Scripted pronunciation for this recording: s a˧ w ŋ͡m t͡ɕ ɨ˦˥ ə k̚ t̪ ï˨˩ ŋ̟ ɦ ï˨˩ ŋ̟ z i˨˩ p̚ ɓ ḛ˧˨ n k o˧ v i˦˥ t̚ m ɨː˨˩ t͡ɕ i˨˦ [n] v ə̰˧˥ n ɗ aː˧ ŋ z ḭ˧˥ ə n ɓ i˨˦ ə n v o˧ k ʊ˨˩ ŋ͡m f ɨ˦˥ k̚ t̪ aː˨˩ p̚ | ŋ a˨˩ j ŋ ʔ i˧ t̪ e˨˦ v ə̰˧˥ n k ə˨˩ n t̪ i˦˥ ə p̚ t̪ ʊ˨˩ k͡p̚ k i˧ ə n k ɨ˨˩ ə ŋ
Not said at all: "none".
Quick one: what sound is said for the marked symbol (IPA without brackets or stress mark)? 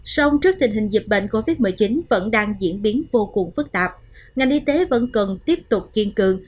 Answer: n